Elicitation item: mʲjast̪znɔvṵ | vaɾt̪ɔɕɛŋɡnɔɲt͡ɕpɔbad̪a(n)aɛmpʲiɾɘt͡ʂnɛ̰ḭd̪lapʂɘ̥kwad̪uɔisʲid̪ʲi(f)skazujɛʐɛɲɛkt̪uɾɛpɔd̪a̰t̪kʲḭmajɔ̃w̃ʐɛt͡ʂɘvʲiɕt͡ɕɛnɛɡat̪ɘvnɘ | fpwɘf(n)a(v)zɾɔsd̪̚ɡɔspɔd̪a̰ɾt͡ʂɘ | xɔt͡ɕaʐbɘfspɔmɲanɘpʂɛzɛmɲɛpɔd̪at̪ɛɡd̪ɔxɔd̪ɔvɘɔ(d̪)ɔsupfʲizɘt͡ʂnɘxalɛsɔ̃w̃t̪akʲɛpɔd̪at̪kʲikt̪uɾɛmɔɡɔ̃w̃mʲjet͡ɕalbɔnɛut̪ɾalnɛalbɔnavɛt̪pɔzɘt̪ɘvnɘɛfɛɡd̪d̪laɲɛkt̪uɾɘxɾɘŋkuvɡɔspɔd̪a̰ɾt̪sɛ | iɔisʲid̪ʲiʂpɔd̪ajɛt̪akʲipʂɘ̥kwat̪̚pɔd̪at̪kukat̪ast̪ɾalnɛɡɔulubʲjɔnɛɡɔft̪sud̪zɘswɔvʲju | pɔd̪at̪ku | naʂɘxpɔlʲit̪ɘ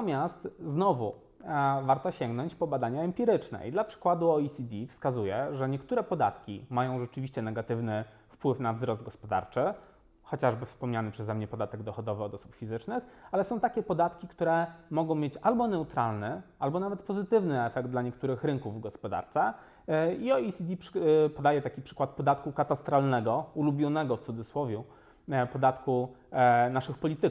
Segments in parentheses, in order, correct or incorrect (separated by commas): incorrect, correct, correct, correct, correct